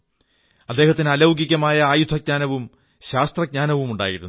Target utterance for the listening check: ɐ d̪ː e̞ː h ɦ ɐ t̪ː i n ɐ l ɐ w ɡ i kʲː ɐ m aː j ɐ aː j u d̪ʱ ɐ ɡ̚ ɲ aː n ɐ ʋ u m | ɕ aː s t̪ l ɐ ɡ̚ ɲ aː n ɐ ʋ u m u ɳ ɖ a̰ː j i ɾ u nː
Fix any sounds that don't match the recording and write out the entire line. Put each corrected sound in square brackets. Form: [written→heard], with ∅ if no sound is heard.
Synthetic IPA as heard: ɐ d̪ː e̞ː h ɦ ɐ t̪ː i n ɐ l ɐ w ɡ i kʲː ɐ m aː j ɐ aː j u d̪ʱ ɐ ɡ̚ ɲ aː n ɐ ʋ u m | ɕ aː s t̪ [l→r] ɐ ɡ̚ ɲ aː n ɐ ʋ u m u ɳ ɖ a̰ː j i ɾ u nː